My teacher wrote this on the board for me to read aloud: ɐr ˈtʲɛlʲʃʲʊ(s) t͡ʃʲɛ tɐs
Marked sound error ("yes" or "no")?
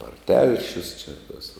no